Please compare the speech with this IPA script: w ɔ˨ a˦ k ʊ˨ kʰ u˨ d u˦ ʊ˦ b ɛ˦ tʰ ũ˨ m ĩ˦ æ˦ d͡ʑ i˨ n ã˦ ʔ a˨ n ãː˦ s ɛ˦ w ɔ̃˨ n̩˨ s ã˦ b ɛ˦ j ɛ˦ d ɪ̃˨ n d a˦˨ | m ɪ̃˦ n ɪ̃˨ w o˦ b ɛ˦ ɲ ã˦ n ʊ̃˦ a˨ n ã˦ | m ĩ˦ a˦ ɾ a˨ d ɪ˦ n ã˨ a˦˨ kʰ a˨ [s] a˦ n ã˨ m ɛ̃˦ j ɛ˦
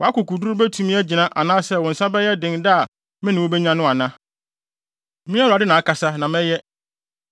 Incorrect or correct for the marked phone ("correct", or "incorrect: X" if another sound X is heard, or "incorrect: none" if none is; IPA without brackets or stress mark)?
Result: correct